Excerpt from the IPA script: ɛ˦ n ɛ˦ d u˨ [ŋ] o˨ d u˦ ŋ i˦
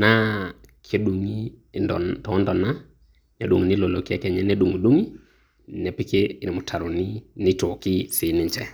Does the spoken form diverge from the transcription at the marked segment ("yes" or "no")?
no